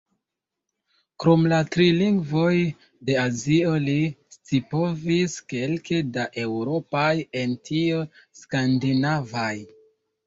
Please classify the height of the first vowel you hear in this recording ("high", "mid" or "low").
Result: mid